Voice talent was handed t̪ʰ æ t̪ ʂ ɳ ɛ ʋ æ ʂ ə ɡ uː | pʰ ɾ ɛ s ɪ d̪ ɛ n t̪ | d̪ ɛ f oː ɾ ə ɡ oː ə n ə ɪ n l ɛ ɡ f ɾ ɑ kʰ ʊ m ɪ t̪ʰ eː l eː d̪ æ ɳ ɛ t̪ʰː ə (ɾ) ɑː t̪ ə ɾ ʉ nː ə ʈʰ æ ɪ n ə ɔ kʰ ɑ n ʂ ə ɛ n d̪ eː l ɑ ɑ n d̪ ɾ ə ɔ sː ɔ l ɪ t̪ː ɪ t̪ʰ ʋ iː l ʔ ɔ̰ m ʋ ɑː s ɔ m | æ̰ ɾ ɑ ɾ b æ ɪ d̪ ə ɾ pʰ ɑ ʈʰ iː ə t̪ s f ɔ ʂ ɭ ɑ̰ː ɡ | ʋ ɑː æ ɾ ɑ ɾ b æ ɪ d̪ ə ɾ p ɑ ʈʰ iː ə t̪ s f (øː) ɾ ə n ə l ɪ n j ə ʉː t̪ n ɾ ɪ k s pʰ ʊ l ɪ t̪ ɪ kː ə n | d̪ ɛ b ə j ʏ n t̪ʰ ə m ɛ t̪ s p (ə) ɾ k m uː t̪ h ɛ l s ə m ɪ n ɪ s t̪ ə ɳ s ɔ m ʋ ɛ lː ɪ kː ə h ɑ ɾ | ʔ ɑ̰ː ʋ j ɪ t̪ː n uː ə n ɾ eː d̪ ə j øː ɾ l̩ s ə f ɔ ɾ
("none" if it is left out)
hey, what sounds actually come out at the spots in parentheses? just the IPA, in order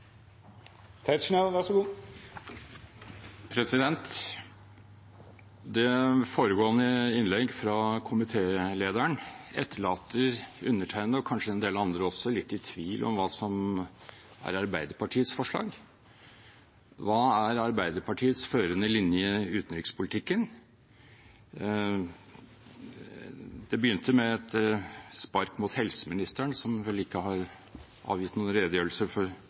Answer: ɭ, øː, ɑ

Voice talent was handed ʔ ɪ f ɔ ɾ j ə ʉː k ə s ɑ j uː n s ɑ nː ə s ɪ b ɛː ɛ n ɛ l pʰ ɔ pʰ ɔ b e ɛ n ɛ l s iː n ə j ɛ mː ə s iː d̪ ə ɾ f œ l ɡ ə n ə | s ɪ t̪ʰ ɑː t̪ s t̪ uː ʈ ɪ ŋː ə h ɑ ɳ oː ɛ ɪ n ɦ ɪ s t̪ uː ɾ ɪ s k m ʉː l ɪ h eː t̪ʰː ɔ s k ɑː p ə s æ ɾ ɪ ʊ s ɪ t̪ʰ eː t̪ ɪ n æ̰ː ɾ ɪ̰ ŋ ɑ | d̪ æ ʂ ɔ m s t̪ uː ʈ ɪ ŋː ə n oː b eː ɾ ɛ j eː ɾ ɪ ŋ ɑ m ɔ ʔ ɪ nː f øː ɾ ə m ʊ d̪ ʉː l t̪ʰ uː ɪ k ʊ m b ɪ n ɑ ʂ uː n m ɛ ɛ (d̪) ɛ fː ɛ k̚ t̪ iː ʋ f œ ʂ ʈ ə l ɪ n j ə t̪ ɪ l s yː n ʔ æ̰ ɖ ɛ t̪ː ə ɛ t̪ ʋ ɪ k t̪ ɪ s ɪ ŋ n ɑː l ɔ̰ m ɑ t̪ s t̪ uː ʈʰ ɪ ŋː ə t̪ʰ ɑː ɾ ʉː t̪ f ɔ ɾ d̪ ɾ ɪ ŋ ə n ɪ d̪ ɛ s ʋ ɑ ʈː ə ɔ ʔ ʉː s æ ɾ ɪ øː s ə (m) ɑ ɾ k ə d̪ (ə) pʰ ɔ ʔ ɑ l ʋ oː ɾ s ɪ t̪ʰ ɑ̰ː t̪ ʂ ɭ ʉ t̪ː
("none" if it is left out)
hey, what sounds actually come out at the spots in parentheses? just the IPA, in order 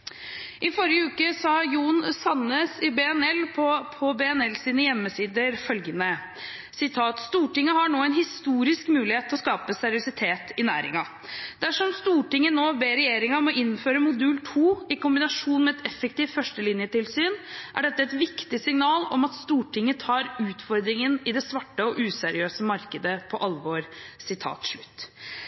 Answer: t̪, m, ə

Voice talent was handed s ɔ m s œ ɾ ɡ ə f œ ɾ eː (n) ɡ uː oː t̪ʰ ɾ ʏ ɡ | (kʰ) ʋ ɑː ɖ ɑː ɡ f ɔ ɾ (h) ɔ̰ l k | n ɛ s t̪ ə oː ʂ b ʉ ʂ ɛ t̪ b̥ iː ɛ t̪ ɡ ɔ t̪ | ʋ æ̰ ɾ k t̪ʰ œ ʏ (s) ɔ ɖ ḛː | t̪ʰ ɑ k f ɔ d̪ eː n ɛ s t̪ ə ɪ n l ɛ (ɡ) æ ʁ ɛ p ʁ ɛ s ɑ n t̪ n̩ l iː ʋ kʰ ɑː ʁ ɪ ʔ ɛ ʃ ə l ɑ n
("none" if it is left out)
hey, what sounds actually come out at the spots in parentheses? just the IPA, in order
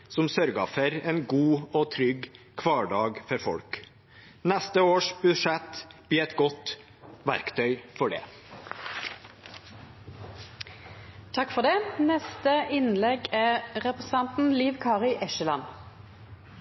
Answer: n, kʰ, f, f, ɡ

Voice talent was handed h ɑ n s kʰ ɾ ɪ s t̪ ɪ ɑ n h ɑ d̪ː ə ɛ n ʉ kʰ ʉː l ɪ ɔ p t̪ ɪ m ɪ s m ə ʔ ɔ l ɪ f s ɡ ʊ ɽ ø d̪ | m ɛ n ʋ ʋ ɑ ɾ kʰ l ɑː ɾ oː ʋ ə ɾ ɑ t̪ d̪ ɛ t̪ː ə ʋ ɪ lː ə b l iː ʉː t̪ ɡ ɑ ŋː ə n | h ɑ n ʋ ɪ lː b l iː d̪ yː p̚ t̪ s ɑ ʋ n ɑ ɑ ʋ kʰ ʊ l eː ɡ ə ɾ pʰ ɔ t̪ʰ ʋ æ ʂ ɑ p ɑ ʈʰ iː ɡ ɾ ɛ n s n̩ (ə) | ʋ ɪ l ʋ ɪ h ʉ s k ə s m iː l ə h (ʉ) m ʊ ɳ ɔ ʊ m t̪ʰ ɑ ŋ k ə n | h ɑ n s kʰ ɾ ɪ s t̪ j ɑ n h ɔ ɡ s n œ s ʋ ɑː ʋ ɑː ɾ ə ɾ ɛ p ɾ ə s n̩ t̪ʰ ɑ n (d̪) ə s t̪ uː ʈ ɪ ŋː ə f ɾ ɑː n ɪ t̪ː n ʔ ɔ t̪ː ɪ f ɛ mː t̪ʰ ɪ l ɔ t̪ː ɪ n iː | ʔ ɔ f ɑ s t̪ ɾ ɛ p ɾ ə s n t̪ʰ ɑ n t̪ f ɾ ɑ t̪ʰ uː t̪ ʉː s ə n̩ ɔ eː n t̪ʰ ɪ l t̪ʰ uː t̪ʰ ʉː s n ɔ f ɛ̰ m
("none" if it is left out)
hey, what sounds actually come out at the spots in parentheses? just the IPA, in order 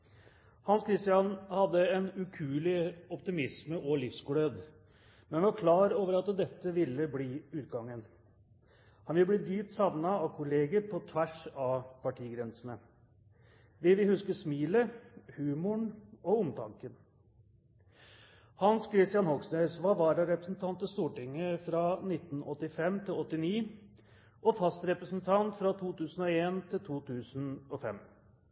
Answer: ə, ʉː, t̪

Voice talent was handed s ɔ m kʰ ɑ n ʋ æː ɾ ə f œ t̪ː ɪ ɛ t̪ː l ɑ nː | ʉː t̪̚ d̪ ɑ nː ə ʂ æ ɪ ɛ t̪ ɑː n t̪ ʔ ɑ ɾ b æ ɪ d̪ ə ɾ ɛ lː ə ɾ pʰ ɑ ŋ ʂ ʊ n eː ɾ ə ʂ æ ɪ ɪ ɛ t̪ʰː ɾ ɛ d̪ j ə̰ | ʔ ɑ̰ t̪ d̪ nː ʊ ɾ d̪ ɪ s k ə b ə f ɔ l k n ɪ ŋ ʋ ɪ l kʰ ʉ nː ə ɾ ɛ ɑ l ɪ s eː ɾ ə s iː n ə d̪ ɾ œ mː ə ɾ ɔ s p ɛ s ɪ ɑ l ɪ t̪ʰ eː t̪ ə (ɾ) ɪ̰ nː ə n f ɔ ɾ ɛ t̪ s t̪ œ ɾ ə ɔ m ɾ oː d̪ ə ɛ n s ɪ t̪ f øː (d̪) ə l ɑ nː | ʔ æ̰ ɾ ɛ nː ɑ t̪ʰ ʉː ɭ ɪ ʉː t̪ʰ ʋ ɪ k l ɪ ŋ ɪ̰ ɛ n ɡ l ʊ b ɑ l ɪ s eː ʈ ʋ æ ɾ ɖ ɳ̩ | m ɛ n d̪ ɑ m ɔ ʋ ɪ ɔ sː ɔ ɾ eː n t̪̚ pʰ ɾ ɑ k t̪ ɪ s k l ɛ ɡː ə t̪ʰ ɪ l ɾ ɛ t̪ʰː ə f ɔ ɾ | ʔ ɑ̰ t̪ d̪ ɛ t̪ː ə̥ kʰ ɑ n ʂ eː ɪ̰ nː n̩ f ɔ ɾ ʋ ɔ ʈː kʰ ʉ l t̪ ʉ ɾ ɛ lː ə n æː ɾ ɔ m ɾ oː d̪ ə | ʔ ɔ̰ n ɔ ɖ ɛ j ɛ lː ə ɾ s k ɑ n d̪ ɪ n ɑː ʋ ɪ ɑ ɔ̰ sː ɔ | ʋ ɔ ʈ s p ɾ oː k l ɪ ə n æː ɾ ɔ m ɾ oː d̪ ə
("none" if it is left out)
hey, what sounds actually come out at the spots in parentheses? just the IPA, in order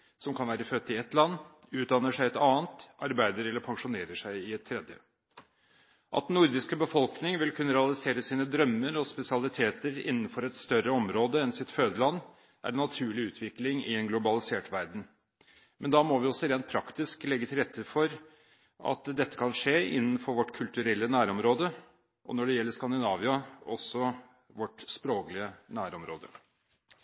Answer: ɾ, d̪

